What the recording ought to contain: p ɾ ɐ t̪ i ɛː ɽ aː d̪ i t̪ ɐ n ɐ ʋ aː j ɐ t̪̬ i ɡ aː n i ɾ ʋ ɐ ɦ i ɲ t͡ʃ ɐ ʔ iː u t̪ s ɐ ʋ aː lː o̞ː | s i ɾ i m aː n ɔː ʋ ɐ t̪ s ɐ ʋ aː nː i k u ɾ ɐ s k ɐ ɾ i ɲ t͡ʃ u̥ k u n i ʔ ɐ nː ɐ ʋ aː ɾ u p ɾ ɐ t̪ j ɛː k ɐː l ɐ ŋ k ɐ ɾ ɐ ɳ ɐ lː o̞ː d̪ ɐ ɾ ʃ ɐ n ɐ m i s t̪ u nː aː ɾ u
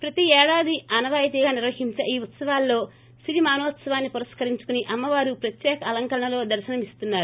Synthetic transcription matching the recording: p ɾ ɐ t̪ i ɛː ɽ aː d̪ i ɐ n ɐ ʋ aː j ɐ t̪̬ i ɡ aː n i ɾ ʋ ɐ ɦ i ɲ t͡ʃ ɐ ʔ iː u t̪ s ɐ ʋ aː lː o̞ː | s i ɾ i m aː n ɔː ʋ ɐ t̪ s ɐ ʋ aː nː i p u ɾ ɐ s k ɐ ɾ i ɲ t͡ʃ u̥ k u n i ʔ ɐ mː ɐ ʋ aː ɾ u p ɾ ɐ t̪ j ɛː k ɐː l ɐ ŋ k ɐ ɾ ɐ ɳ ɐ l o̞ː d̪ ɐ ɾ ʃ ɐ n ɐ m i s t̪ u nː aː ɾ u